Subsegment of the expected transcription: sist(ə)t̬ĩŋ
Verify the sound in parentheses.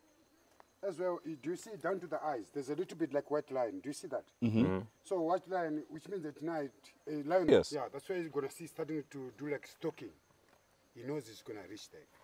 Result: incorrect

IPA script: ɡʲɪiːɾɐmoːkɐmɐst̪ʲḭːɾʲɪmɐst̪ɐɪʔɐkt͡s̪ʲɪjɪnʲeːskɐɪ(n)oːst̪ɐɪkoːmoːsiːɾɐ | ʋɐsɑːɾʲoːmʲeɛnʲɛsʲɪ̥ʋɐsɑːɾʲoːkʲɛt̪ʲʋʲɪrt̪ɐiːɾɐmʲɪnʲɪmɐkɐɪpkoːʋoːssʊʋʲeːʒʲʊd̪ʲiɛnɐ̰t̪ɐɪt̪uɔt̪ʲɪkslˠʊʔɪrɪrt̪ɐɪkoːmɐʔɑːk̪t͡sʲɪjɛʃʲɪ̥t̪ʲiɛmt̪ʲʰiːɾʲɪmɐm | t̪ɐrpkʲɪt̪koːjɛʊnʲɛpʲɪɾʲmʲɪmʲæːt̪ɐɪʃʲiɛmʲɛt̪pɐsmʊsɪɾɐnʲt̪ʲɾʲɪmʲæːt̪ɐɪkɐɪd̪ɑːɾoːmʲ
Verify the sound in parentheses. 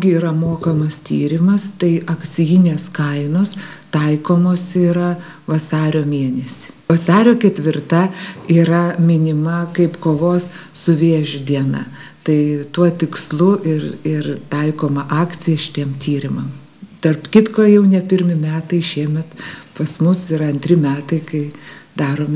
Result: correct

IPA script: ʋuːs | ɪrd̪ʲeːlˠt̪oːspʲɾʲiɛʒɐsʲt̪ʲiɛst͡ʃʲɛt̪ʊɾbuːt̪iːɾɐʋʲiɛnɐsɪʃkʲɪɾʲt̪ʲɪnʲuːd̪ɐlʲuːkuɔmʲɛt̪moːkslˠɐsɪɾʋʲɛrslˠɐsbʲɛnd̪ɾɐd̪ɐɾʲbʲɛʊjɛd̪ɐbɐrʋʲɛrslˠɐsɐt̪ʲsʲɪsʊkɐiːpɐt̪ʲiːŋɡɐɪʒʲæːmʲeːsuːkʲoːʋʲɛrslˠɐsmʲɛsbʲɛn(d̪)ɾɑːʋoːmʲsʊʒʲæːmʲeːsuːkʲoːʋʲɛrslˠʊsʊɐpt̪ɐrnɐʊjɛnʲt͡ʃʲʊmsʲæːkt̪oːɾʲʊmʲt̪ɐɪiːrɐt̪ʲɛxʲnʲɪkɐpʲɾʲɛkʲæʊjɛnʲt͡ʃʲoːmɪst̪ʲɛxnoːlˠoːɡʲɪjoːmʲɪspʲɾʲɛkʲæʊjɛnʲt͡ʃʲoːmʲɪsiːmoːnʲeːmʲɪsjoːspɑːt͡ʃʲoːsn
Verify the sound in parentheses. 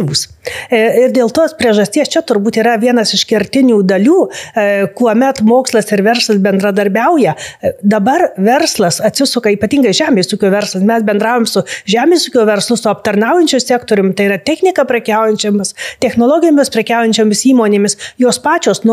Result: correct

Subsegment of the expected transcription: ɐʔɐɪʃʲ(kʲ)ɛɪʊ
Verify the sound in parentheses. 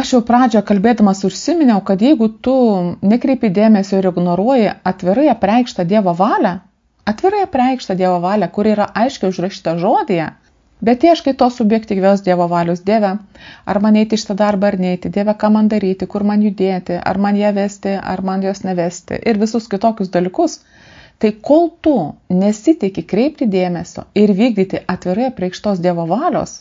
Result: correct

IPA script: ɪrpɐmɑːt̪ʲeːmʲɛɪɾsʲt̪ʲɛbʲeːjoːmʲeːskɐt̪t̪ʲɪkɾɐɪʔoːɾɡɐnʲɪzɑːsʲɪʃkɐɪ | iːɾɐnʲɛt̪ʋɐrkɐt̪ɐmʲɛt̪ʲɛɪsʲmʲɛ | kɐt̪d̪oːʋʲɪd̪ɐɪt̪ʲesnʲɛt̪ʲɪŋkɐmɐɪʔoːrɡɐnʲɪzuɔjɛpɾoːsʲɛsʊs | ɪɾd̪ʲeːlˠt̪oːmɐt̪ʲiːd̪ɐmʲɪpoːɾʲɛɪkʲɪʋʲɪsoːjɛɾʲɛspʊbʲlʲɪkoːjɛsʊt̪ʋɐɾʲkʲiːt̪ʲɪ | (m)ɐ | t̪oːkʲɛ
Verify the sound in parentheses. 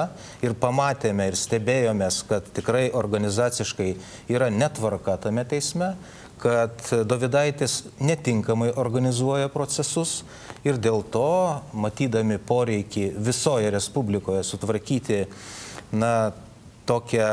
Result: incorrect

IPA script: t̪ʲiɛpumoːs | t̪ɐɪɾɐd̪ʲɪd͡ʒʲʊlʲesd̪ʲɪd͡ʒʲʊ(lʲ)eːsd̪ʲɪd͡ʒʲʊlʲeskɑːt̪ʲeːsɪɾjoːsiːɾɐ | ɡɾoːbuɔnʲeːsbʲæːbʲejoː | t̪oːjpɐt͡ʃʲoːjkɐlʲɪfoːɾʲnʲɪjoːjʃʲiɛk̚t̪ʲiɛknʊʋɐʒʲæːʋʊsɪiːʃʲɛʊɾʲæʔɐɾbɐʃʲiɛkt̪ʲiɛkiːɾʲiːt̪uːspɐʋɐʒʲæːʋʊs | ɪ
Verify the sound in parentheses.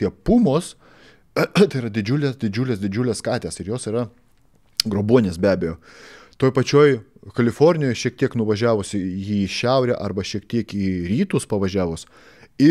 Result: correct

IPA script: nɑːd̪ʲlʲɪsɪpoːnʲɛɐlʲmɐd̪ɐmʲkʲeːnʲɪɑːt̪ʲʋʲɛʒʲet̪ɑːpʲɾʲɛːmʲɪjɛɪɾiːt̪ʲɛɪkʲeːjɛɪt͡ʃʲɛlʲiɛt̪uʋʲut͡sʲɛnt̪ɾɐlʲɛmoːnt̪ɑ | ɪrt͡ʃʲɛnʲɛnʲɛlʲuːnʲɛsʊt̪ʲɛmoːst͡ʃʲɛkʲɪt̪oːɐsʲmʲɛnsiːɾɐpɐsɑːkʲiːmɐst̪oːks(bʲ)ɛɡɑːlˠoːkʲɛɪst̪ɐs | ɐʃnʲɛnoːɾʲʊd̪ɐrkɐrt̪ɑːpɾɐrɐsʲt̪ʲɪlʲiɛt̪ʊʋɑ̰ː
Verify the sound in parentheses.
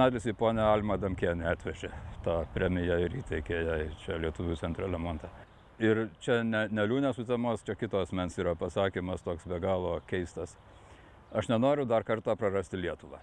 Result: correct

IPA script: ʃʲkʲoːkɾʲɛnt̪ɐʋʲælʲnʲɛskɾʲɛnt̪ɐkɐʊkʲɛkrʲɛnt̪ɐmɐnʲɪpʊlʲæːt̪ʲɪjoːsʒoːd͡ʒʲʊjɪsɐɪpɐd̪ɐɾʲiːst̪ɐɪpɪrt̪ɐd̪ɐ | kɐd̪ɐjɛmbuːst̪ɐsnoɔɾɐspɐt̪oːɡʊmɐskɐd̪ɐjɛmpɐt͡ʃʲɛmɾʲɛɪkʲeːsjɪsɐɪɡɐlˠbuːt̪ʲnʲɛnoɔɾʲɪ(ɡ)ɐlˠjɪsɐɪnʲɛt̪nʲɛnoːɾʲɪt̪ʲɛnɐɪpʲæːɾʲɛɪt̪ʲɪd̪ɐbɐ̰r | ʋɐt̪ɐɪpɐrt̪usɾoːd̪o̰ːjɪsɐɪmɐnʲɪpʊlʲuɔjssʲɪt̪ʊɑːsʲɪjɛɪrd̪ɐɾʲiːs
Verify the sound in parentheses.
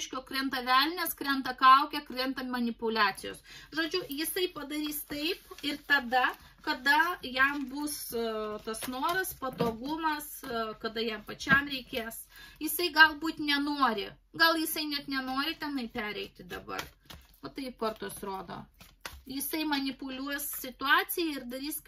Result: correct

